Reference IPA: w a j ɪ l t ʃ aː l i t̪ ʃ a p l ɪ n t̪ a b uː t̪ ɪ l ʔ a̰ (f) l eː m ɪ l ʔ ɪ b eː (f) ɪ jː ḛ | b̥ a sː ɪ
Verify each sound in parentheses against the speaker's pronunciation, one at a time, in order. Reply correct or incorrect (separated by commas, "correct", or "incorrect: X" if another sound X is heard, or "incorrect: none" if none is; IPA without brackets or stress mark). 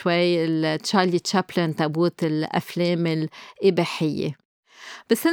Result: correct, incorrect: ħ